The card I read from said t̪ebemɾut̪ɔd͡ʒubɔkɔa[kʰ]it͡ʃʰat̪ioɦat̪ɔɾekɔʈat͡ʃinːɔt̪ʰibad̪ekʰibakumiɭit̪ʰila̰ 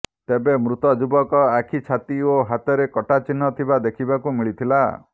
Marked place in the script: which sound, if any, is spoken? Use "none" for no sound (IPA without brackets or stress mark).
kʰ